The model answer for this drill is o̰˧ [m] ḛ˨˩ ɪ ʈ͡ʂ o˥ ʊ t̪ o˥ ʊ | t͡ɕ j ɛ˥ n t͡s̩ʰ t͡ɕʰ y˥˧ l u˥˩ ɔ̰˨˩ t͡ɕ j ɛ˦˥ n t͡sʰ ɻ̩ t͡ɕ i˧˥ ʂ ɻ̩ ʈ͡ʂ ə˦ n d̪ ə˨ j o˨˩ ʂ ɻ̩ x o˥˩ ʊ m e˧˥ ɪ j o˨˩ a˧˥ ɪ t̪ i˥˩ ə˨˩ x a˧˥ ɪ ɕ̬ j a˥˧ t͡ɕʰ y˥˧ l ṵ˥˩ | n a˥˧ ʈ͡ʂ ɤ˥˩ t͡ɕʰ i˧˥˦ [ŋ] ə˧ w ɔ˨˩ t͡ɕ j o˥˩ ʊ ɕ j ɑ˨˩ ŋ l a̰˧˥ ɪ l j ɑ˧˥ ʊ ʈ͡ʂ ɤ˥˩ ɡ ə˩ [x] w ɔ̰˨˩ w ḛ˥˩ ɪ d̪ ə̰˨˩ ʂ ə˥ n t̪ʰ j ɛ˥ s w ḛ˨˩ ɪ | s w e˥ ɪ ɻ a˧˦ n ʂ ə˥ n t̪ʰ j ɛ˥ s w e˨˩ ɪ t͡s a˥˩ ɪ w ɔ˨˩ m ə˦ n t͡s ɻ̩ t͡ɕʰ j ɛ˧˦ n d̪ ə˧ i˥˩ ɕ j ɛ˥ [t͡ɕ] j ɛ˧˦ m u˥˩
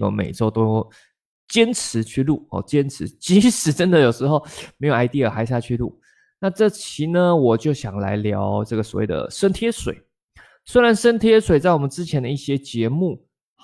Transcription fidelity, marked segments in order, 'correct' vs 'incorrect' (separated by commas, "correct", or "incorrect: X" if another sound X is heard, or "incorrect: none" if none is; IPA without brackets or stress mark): correct, incorrect: n, incorrect: s, correct